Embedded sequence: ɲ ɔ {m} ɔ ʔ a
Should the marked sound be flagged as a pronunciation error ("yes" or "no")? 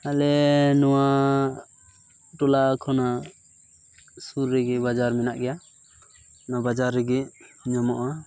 no